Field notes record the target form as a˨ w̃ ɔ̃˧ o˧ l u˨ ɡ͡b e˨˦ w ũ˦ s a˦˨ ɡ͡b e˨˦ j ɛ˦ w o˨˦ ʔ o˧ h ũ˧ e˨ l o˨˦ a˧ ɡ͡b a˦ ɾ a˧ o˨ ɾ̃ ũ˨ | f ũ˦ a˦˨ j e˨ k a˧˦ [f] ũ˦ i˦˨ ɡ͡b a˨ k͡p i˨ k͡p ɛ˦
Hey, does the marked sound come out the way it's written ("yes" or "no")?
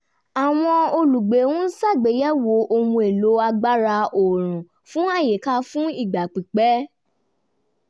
yes